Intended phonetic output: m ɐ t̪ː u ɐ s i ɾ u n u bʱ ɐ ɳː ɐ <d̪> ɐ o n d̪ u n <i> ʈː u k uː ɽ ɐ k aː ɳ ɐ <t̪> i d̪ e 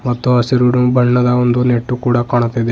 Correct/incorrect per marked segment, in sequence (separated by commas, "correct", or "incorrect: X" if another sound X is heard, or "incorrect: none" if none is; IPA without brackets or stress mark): correct, incorrect: e, correct